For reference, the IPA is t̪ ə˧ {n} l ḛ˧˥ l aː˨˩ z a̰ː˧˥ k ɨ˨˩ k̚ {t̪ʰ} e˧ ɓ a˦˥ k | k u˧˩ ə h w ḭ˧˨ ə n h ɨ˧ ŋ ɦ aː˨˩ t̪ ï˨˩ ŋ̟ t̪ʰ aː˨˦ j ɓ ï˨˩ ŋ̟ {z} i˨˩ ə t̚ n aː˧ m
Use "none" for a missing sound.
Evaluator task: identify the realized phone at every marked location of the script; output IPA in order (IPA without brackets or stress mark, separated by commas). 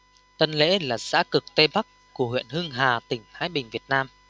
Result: n, t̪, v